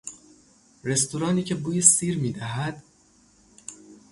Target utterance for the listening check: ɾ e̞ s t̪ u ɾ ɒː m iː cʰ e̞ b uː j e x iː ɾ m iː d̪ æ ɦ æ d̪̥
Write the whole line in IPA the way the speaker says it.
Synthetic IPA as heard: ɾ e̞ s t̪ u ɾ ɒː n iː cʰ e̞ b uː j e s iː ɾ m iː d̪ æ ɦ æ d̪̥